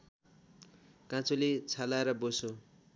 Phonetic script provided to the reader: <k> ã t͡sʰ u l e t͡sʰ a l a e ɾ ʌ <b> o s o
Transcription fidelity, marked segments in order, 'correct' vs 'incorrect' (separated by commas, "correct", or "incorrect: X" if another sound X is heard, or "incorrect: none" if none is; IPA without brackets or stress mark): correct, correct